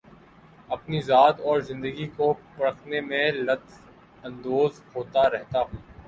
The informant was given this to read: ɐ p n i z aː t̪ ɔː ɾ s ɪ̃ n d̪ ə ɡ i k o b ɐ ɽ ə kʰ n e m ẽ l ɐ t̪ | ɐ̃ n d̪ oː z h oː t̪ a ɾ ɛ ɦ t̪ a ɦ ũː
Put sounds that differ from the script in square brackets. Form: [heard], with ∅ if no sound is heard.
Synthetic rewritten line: ɐ p n i z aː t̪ ɔː ɾ [z] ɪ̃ n d̪ ə ɡ i k o [p] ɐ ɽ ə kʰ n e m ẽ l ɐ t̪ | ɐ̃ n d̪ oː z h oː t̪ a ɾ ɛ ɦ t̪ a ɦ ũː